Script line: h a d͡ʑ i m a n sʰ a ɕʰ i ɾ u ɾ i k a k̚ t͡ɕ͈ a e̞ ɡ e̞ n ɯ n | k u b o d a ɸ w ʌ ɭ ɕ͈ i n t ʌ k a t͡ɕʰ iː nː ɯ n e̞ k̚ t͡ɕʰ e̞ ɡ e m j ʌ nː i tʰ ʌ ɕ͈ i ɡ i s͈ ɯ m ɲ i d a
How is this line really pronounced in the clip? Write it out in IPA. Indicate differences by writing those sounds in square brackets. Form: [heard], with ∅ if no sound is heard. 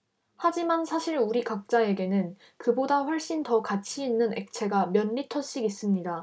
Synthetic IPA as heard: h a d͡ʑ i m a n sʰ a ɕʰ i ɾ u ɾ i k a k̚ t͡ɕ͈ a e̞ ɡ e̞ n ɯ n | k [ɯ] b o d a ɸ w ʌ ɭ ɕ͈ i n t ʌ k a t͡ɕʰ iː nː ɯ n e̞ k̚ t͡ɕʰ e̞ ɡ [a] m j ʌ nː i tʰ ʌ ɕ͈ i ɡ i s͈ ɯ m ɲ i d a